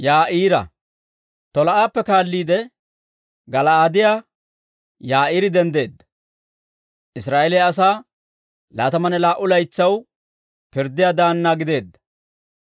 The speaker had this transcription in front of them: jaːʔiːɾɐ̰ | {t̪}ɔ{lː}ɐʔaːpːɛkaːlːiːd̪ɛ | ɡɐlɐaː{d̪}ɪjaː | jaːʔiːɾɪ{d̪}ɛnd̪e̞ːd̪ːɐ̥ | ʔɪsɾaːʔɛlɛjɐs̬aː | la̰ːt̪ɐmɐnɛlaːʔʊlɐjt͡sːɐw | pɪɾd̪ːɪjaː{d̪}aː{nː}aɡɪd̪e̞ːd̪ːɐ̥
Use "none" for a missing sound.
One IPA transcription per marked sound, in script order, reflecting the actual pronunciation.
t̪, l, d̪, d̪, d̪, nː

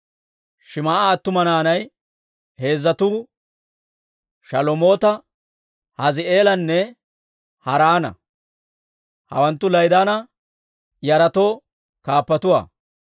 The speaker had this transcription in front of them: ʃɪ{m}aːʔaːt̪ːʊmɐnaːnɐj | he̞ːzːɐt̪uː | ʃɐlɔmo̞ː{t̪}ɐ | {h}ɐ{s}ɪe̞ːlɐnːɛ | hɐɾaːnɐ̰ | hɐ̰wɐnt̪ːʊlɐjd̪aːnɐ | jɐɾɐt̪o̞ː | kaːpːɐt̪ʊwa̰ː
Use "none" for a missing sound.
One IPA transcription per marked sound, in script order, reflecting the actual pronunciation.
m, t̪, h, z

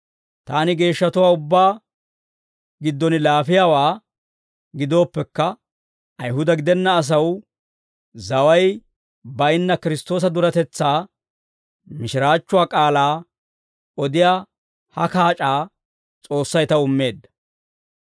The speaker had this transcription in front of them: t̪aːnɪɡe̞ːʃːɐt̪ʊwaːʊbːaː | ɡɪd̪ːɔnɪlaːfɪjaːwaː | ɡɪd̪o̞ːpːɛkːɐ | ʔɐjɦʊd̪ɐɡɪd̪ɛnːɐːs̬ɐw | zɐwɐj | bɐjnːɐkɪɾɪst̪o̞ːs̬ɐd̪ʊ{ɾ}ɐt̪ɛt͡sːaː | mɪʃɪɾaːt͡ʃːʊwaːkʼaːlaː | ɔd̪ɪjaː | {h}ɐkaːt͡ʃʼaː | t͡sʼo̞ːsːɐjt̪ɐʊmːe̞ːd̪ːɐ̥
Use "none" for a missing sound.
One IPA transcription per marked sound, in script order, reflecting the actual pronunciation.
ɾ, h

